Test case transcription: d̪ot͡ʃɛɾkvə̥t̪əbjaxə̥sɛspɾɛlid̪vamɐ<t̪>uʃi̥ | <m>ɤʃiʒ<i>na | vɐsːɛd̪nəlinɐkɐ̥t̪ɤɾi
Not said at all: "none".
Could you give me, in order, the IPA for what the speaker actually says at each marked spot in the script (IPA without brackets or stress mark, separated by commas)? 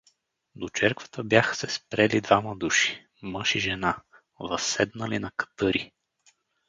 d̪, m, ɛ